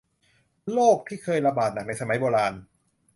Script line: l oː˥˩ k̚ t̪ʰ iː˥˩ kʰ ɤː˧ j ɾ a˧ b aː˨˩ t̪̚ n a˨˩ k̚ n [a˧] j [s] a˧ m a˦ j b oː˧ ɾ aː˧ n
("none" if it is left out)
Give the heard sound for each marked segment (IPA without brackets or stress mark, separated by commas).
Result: a˧, s